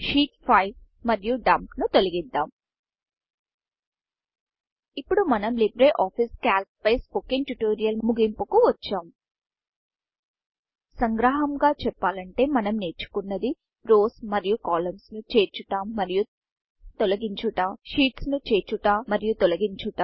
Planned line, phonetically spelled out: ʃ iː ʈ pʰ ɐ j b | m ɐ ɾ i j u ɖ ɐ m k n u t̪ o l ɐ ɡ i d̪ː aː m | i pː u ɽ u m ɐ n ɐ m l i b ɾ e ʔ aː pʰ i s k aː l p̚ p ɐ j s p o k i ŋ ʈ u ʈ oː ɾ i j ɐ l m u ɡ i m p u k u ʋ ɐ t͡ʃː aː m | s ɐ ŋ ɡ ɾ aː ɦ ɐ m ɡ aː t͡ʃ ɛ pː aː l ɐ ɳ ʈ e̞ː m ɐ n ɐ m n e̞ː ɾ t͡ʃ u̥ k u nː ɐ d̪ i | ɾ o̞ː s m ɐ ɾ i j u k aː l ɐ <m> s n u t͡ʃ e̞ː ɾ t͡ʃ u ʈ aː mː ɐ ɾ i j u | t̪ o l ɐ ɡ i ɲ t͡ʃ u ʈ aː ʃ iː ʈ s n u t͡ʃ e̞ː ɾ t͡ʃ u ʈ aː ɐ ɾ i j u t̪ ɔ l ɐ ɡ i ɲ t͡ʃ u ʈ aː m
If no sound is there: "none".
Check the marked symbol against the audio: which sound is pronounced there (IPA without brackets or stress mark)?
m